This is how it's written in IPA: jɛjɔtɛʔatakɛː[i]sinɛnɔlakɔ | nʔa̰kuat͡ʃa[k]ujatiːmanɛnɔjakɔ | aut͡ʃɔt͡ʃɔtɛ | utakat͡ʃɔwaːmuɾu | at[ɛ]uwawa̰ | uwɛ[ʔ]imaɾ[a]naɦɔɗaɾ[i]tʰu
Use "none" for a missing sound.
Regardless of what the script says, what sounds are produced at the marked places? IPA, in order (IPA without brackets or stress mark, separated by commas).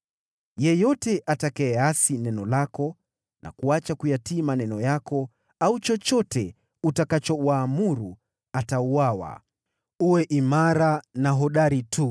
a, k, a, ʔ, a, i